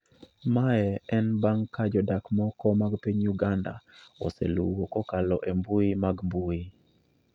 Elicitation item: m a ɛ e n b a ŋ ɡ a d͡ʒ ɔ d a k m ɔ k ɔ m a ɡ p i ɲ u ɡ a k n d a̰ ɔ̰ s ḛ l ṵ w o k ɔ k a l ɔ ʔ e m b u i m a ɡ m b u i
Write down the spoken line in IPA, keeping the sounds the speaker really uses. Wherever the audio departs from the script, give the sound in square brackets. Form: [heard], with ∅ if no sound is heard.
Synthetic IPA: m a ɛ [ɛ] n b a ŋ [k] a d͡ʒ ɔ d a k m ɔ k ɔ m a ɡ p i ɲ u ɡ a [∅] n d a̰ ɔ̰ s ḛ l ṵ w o k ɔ k a l ɔ ʔ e m b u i m a ɡ m b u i